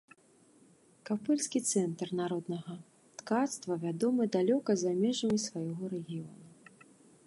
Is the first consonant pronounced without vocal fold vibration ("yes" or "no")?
yes